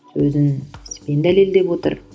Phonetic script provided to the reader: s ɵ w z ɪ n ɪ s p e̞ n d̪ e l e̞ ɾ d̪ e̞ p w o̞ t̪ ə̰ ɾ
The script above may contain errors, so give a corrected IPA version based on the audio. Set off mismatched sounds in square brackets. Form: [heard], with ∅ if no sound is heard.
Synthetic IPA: s ɵ [∅] z ɪ n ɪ s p e̞ n d̪ [æ] l e̞ [l] d̪ e̞ p w o̞ t̪ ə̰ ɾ